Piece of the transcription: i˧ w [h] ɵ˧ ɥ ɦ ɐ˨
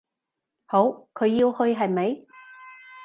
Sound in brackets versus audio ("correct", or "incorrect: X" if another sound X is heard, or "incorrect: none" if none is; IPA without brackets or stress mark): correct